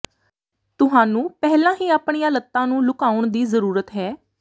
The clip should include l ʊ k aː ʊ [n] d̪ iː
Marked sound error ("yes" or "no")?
yes